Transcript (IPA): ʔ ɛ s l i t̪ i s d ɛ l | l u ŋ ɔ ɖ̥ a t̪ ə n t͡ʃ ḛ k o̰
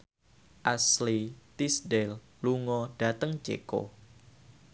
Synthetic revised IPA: ʔ a s l i t̪ i s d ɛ l | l u ŋ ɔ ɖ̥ a t̪ ə ŋ t͡ʃ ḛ k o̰